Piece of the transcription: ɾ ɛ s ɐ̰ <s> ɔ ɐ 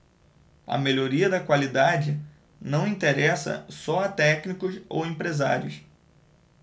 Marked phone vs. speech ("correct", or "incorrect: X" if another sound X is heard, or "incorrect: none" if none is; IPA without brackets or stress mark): correct